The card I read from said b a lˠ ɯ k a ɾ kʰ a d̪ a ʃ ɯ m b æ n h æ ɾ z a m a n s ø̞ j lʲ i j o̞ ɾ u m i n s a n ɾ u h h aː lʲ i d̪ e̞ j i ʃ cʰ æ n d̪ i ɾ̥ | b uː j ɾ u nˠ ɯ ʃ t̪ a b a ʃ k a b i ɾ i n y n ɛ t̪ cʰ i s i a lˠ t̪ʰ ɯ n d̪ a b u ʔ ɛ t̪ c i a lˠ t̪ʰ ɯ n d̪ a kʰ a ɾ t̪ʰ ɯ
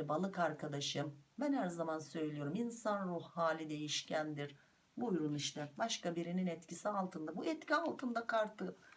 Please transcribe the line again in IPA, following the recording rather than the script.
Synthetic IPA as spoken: b a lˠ ɯ k a ɾ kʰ a d̪ a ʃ ɯ m b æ n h æ ɾ z a m a n s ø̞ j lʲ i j o̞ ɾ u m i n s a n ɾ u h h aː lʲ i d̪ e̞ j i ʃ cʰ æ n d̪ i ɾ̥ | b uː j ɾ u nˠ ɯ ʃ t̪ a b a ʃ k a b i ɾ i n i n ɛ t̪ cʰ i s i a lˠ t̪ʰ ɯ n d̪ a b u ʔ ɛ t̪ c i a lˠ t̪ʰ ɯ n d̪ a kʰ a ɾ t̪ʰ ɯ